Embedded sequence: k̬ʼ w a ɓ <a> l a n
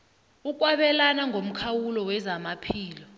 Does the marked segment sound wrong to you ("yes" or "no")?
yes